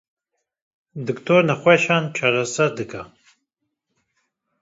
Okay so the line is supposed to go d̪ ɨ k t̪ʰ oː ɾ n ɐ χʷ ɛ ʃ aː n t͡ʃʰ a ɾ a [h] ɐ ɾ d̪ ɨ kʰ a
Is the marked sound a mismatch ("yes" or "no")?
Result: yes